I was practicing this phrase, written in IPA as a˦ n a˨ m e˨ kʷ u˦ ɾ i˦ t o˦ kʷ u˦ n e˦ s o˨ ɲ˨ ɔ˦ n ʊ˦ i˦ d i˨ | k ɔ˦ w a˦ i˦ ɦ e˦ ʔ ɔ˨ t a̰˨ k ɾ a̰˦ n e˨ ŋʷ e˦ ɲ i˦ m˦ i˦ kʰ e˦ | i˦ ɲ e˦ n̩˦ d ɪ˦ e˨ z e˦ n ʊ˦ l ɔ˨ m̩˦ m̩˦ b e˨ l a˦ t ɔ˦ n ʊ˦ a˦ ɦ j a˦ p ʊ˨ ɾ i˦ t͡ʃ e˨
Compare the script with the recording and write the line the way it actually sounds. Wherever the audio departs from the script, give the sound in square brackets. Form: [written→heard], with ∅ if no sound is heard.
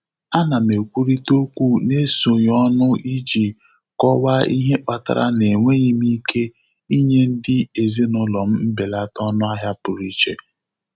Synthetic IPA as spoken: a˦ n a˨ m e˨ kʷ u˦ ɾ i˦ t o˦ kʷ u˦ n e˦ s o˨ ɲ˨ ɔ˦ n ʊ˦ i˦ [d→d͡ʒ] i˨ | k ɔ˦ w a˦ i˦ ɦ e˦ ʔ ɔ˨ t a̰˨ [k→∅] ɾ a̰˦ n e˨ ŋʷ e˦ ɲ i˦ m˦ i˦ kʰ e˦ | i˦ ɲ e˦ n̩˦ d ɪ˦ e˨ z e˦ n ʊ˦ l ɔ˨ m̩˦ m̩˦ b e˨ l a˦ t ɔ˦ n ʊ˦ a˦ ɦ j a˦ p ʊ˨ ɾ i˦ t͡ʃ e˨